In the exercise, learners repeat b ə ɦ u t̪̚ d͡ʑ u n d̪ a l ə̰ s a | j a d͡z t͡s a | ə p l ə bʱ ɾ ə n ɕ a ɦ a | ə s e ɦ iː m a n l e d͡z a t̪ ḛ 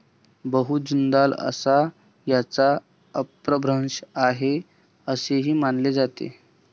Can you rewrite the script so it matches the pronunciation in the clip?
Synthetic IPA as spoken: b ə ɦ u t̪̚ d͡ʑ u n d̪ a l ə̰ s a | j a t͡s a | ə p ɾ ə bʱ ɾ ə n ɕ a ɦ e | ə s e ɦ iː m a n l e d͡z a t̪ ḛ